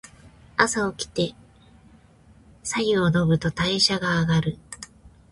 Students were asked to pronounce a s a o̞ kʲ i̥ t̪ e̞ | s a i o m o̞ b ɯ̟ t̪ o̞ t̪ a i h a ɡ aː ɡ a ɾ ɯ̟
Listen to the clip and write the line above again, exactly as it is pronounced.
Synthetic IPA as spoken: a s a o̞ kʲ i̥ t̪ e̞ | s a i o n o̞ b ɯ̟ t̪ o̞ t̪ a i ɕ a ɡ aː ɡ a ɾ ɯ̟